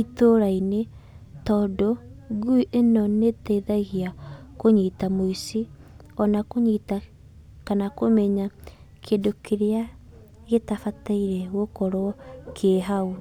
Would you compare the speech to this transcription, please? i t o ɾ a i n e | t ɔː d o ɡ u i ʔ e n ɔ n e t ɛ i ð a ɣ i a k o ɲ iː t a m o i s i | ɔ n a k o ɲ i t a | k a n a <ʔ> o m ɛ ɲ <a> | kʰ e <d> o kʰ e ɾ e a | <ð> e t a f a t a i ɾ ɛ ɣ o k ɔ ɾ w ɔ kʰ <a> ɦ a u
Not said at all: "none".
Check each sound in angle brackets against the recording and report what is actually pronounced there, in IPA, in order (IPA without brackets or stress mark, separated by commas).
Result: k, a, d, ɣ, e